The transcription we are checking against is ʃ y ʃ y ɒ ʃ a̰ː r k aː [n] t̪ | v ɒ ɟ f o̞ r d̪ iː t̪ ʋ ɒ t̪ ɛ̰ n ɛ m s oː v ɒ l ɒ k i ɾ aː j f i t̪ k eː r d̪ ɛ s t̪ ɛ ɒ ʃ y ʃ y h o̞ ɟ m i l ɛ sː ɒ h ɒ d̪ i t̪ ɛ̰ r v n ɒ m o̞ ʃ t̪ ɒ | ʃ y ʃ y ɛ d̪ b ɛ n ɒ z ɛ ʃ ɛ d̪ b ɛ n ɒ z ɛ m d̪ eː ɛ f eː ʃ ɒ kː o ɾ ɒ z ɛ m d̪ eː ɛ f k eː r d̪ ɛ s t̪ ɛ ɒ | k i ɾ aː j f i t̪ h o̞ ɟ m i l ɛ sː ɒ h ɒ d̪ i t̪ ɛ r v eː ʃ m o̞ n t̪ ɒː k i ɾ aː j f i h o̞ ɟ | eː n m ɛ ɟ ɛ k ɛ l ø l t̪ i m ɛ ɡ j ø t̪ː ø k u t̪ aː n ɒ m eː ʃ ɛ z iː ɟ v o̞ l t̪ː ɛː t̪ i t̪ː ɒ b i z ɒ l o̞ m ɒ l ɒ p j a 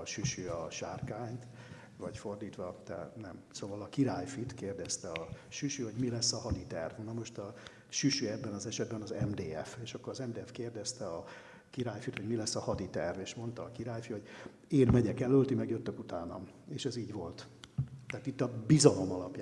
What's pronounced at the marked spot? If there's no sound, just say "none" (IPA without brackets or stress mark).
ɲ